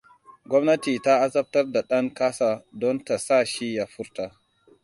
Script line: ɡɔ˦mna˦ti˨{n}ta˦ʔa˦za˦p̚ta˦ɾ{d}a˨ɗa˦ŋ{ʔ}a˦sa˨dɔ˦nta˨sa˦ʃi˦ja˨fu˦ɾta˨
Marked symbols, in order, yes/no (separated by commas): no, yes, no